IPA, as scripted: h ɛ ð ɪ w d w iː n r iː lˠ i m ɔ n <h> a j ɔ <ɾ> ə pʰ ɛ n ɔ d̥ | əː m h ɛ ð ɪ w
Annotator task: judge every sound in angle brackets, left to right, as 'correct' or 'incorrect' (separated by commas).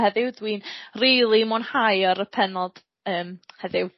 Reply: correct, correct